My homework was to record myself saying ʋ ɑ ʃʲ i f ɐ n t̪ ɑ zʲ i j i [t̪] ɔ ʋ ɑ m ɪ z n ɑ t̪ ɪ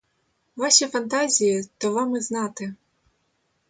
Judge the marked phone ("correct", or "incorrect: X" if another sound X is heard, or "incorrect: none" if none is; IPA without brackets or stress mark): correct